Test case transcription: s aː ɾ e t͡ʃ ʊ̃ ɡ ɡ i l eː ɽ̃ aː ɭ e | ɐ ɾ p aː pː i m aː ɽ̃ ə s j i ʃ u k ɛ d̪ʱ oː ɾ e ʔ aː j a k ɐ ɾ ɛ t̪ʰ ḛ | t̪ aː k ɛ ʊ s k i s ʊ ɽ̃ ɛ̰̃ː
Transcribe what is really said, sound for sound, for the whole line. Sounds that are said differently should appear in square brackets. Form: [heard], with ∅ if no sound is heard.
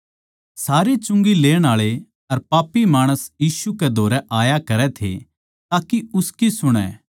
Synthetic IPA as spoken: s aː ɾ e t͡ʃ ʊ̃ [ŋ] ɡ i l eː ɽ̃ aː ɭ e | ɐ ɾ p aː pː i m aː ɽ̃ ə s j [iː] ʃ u k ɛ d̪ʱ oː ɾ [ɛ] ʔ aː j a k ɐ ɾ ɛ t̪ʰ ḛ | t̪ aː k [i] ʊ s k i s ʊ ɽ̃ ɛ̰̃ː